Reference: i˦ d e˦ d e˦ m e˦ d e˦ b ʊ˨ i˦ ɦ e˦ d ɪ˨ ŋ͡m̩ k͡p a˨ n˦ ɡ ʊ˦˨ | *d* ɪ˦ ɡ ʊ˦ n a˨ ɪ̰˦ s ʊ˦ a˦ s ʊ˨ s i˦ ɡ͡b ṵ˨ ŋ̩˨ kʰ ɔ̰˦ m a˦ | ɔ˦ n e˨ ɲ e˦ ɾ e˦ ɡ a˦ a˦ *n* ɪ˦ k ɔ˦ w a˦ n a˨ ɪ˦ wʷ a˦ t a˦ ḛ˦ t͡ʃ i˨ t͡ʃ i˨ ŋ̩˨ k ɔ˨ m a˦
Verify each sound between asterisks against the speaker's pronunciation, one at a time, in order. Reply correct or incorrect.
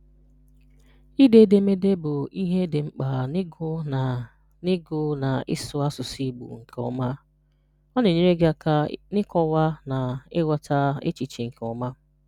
incorrect, correct

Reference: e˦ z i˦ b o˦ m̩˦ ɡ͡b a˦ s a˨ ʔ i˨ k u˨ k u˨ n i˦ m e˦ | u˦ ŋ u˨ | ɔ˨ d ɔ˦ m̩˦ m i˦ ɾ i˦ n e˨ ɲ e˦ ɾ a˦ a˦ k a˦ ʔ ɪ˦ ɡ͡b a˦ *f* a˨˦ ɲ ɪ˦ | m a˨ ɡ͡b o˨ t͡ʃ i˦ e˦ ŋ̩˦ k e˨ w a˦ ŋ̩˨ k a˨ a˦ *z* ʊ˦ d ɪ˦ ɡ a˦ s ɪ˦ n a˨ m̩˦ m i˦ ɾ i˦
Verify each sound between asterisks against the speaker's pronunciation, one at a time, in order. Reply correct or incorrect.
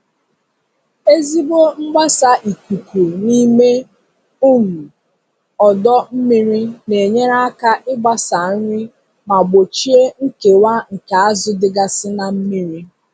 incorrect, correct

